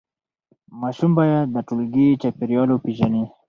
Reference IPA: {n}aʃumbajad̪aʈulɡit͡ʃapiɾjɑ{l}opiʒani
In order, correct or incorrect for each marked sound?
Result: incorrect: m, correct

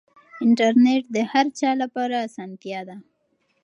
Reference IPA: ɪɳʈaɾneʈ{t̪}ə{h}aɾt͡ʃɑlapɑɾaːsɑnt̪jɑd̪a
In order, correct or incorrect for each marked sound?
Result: incorrect: d̪, correct

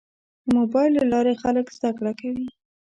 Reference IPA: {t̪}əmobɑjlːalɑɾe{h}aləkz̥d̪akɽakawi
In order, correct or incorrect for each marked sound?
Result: incorrect: d̪, incorrect: x

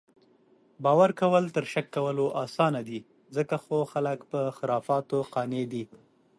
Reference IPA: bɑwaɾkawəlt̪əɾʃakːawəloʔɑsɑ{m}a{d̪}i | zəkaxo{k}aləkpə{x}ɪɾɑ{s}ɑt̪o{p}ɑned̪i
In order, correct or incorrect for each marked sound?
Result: incorrect: n, correct, incorrect: x, correct, incorrect: f, incorrect: q

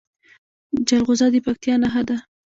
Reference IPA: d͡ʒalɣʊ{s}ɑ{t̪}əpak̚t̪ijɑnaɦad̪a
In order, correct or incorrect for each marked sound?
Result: incorrect: z, incorrect: d̪

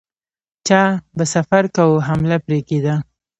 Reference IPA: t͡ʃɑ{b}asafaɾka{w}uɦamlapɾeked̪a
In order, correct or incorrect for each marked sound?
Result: correct, correct

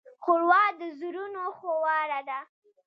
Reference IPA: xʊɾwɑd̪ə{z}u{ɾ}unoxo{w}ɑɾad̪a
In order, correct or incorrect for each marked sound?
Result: correct, correct, correct

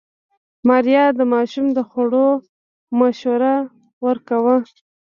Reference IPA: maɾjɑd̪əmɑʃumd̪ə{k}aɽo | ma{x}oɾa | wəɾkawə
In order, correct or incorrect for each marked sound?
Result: incorrect: x, incorrect: ʃ

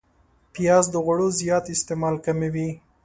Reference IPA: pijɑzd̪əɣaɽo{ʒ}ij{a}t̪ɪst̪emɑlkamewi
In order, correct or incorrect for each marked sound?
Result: incorrect: z, incorrect: ɑ

